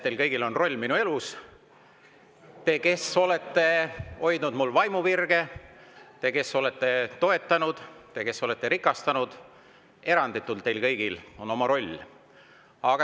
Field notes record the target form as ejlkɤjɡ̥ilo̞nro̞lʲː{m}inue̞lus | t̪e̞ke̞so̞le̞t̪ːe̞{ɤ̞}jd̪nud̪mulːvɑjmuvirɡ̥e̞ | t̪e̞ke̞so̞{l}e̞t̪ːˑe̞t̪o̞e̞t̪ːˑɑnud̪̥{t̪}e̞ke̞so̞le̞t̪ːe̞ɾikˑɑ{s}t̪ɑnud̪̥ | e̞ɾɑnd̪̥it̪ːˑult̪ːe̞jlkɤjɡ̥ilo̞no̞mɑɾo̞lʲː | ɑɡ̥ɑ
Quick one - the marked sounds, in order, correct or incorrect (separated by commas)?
correct, incorrect, correct, correct, correct